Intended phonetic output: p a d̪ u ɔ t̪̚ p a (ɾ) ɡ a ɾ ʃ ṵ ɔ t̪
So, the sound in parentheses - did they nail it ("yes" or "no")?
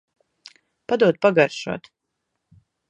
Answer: no